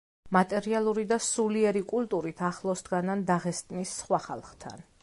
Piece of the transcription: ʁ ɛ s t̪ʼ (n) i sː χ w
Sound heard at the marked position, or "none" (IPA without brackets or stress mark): n